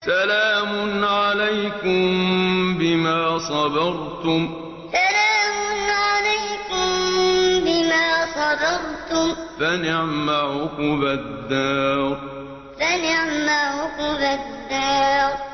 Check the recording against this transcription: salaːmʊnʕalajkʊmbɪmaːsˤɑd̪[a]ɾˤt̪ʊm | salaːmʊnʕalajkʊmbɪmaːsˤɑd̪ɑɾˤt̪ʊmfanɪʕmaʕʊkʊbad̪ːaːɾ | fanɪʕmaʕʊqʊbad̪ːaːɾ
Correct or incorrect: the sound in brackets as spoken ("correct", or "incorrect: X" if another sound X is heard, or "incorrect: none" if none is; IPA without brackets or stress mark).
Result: incorrect: ɑ